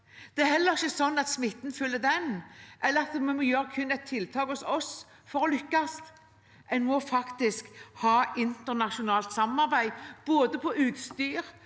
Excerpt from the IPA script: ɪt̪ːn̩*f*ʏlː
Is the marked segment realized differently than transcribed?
no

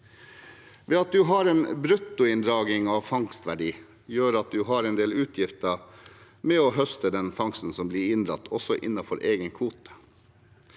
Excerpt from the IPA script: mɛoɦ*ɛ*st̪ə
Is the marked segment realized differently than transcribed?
yes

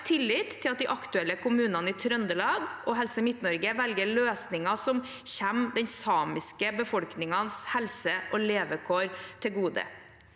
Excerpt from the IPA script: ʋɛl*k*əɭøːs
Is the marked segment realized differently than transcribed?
yes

